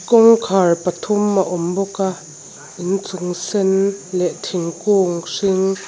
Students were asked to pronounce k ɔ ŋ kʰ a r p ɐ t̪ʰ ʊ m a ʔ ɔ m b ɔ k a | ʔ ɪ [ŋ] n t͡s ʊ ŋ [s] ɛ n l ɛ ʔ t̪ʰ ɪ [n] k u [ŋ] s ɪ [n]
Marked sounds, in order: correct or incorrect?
incorrect: none, correct, incorrect: ŋ, correct, incorrect: ŋ

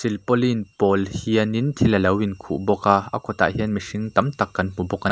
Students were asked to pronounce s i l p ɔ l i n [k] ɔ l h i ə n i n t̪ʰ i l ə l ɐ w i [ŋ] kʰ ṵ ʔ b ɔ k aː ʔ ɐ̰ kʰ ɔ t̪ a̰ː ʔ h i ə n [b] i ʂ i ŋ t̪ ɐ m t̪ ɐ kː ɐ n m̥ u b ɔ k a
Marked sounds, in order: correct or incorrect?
incorrect: p, incorrect: n, incorrect: m

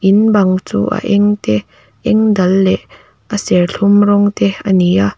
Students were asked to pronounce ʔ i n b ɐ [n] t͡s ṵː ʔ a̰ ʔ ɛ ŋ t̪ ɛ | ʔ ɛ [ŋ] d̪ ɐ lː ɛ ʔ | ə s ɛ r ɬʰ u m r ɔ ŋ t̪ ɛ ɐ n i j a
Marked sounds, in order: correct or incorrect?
incorrect: ŋ, correct

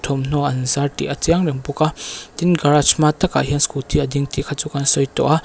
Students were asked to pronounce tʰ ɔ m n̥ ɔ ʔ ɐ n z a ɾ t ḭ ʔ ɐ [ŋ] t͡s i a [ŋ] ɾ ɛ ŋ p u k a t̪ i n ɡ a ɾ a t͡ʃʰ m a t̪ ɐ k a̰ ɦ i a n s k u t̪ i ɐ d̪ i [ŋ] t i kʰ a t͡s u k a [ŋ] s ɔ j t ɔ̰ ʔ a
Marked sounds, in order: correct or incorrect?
incorrect: none, correct, correct, incorrect: n

